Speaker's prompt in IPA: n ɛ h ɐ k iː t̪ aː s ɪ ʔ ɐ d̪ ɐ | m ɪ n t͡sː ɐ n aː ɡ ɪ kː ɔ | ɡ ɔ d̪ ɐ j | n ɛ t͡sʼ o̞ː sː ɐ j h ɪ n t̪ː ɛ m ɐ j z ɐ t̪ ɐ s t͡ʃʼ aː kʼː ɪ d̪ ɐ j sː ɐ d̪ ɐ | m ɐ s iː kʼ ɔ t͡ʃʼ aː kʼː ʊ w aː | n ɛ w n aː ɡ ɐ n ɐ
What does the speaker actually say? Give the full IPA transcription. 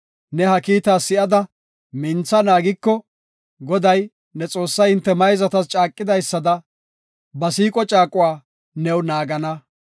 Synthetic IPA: n ɛ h ɐ k iː t̪ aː s ɪ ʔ ɐ d̪ ɐ | m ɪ n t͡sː ɐ n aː ɡ ɪ kː ɔ | ɡ ɔ d̪ ɐ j | n ɛ t͡sʼ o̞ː sː ɐ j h ɪ n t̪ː ɛ m ɐ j z ɐ t̪ ɐ s t͡ʃʼ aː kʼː ɪ d̪ ɐ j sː ɐ d̪ ɐ | b ɐ s iː kʼ ɔ t͡ʃʼ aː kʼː ʊ w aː | n ɛ w n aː ɡ ɐ n ɐ